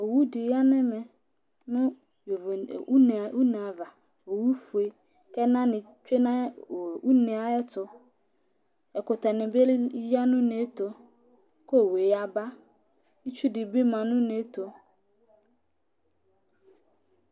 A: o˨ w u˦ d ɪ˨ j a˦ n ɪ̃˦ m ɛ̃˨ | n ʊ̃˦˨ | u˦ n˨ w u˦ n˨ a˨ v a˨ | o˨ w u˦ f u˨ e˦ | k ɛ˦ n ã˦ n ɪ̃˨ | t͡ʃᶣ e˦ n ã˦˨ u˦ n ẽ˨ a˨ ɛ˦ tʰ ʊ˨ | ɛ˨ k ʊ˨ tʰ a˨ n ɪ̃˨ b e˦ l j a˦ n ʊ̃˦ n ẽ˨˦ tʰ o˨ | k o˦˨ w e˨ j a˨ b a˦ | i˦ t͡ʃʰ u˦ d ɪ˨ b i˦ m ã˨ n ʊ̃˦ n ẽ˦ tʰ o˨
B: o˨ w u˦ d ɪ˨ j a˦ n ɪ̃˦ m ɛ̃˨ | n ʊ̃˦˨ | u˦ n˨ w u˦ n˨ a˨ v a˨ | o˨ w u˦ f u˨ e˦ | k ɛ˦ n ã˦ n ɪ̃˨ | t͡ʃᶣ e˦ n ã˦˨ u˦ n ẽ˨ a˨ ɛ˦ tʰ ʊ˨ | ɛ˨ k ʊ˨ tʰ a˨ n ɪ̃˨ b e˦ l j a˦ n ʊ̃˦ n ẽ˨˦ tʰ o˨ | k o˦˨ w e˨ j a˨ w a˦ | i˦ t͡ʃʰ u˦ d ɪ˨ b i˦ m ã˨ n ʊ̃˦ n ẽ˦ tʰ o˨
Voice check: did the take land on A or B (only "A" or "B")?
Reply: A